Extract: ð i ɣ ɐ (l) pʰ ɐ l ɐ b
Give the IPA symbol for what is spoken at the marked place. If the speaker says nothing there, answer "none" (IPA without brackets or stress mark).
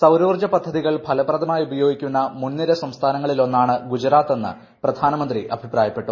ɭ